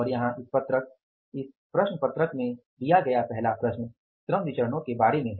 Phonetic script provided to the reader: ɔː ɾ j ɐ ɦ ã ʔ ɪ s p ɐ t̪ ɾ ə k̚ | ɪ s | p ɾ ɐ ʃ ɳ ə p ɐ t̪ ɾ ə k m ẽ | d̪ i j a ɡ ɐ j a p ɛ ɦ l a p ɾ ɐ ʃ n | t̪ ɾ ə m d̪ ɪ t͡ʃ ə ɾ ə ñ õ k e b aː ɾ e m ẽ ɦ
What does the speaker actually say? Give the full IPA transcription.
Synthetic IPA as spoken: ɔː ɾ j ɐ ɦ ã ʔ ɪ s p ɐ t̪ ɾ ə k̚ | ɪ s | p ɾ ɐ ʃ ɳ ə p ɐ t̪ ɾ ə k m ẽ | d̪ i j a ɡ ɐ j a p ɛ ɦ l a p ɾ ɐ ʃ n | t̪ ɾ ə m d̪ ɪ t͡ʃ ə ɾ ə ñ õ k e b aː ɾ e m ẽ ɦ

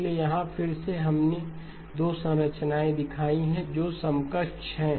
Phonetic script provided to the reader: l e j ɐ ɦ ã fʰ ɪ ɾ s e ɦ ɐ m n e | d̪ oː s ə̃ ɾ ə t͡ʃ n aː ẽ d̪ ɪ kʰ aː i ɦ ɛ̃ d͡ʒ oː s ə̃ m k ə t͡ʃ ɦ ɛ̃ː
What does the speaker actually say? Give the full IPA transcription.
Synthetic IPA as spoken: l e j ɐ ɦ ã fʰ ɪ ɾ s e ɦ ɐ m n e | d̪ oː s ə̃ ɾ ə t͡ʃ n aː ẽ d̪ ɪ kʰ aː i ɦ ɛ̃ d͡ʒ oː s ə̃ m k ə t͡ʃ ɦ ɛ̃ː

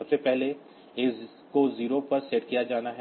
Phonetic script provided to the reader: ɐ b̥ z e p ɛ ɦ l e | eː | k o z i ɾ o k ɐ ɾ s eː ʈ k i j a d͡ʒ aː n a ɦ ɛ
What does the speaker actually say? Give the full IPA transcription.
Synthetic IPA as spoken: ɐ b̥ s e p ɛ ɦ l e | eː | k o z iː ɾ o p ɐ ɾ s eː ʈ k i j a d͡ʒ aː n a ɦ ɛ

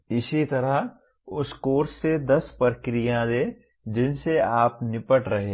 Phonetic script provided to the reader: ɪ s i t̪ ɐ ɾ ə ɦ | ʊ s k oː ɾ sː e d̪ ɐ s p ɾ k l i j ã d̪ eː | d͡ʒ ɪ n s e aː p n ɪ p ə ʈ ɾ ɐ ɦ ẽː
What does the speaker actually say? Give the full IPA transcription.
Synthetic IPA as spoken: ɪ s i t̪ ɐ ɾ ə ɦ | ʊ s k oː ɾ sː e d̪ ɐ s p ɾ k ɾ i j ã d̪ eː | d͡ʒ ɪ n s e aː p n ɪ p ə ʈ ɾ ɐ ɦ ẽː

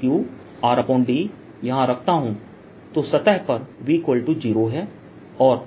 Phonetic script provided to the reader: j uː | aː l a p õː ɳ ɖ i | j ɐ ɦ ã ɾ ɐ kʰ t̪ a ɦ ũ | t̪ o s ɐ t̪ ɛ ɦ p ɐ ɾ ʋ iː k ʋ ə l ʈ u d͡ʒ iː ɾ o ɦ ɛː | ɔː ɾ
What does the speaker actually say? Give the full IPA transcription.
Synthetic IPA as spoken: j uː | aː ɾ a p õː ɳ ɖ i | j ɐ ɦ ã ɾ ɐ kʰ t̪ a ɦ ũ | t̪ o s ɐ t̪ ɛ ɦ p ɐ ɾ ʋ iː k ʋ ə l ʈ u d͡ʒ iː ɾ o ɦ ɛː | ɔː ɾ

